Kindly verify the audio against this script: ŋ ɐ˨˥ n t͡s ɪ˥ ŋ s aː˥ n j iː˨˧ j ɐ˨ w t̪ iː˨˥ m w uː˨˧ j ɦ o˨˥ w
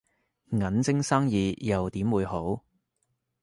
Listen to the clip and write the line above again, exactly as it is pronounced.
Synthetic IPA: ŋ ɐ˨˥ n t͡s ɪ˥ ŋ s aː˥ ŋ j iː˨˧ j ɐ˨ w t̪ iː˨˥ m w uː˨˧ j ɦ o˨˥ w